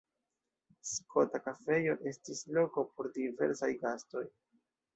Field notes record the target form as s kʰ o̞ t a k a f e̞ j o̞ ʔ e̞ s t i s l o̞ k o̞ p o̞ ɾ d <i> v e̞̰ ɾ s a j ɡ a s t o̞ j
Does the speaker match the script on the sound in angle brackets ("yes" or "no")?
yes